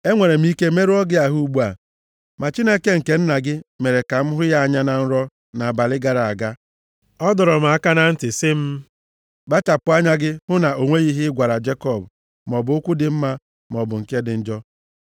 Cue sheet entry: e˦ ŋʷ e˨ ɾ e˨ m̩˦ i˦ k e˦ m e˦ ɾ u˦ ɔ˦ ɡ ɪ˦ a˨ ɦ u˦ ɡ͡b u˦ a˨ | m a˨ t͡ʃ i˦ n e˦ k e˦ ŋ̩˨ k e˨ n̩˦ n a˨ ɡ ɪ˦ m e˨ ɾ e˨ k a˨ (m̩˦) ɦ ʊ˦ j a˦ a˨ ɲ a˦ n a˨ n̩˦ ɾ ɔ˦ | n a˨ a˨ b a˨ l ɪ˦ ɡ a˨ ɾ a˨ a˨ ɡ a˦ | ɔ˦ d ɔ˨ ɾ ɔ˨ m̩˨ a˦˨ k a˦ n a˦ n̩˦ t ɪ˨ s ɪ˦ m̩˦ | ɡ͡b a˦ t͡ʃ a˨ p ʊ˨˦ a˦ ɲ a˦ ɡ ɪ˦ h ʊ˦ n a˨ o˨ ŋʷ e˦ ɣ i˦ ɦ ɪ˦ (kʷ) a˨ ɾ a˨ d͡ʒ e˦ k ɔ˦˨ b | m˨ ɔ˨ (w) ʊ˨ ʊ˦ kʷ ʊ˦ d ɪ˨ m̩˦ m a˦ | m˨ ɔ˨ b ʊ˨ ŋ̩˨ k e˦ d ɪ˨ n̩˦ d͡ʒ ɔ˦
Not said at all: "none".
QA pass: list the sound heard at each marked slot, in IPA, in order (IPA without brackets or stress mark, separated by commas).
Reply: m̩˦, ɡʷ, b